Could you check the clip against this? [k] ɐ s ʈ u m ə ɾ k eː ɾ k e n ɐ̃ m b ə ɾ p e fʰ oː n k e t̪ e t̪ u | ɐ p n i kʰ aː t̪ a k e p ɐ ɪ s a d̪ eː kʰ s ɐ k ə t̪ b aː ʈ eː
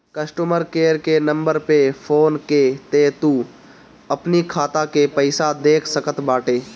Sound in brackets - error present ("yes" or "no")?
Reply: no